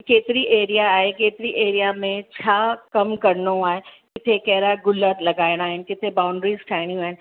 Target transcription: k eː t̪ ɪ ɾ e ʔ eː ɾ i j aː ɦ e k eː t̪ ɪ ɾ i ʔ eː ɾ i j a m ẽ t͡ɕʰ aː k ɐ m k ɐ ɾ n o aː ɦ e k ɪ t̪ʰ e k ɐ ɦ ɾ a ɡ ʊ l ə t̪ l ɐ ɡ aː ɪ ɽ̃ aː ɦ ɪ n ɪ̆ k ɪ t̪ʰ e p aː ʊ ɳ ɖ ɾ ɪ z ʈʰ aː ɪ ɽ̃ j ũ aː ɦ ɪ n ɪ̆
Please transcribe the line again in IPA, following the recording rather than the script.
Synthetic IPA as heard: k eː t̪ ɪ ɾ i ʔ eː ɾ i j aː ɦ e k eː t̪ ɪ ɾ i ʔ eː ɾ i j a m ẽ t͡ɕʰ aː k ɐ m k ɐ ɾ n o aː ɦ e k ɪ t̪ʰ e k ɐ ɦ ɾ a ɡ ʊ l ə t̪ l ɐ ɡ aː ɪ ɽ̃ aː ɦ ɪ n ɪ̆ k ɪ t̪ʰ e b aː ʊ ɳ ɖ ɾ i z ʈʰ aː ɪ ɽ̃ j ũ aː ɦ ɪ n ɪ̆